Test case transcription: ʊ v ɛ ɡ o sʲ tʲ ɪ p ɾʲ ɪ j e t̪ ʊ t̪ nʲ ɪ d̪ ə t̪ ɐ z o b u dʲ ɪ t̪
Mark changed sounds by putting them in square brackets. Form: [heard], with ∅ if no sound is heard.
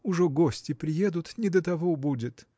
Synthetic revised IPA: ʊ [ʐ] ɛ ɡ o sʲ tʲ ɪ p ɾʲ ɪ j e [d̪] ʊ t̪ nʲ ɪ d̪ ə t̪ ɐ [v] o b u dʲ ɪ t̪